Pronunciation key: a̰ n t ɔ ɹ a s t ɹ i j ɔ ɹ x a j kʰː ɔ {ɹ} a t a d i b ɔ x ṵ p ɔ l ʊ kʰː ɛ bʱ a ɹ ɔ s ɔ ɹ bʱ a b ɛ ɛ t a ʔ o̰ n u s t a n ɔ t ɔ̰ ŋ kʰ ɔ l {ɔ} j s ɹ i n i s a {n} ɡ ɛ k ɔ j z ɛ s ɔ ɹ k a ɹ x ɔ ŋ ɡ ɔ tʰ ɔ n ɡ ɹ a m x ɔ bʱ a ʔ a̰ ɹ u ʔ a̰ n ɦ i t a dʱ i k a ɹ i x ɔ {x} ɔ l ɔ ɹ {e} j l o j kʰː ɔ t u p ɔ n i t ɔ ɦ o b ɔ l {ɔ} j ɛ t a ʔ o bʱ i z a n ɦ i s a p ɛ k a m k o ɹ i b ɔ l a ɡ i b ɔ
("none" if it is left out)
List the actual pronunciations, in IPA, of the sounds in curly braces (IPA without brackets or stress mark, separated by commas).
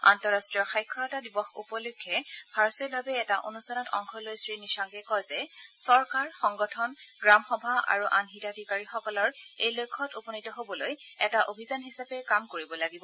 ɹ, o, ŋ, k, e, o